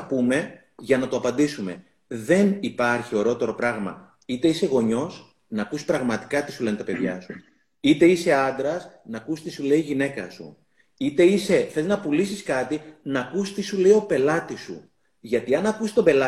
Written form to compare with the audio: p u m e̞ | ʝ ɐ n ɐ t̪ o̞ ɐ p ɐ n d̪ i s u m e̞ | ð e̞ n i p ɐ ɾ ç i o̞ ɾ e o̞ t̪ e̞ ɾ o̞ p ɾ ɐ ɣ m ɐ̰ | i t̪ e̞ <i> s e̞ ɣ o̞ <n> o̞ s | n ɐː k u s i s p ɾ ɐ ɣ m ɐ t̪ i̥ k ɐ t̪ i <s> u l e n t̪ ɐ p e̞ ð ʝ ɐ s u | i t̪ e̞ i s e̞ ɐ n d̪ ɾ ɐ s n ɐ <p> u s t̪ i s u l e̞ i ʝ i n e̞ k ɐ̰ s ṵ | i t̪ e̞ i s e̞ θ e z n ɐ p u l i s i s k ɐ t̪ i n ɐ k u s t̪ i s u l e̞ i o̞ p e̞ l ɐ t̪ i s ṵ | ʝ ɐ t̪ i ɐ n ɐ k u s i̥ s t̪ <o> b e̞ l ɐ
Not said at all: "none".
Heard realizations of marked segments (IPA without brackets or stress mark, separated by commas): i, ɲ, s, k, o